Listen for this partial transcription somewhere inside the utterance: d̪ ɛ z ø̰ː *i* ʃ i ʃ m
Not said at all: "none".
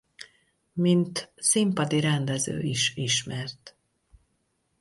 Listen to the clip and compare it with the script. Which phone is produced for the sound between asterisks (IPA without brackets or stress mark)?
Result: i